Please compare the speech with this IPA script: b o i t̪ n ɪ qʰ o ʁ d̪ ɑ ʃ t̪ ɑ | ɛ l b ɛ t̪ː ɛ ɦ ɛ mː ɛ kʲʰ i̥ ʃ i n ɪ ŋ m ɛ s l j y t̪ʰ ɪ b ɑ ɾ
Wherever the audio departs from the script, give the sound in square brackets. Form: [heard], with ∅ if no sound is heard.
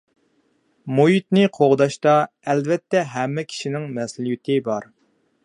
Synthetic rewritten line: [m] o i t̪ n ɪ qʰ o ʁ d̪ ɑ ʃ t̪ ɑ | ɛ l [v] ɛ t̪ː ɛ ɦ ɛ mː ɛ kʲʰ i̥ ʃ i n ɪ ŋ m ɛ s l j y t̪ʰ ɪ b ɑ ɾ